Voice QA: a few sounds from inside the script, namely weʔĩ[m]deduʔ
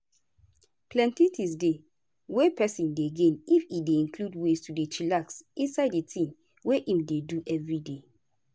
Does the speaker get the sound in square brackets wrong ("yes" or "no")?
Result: no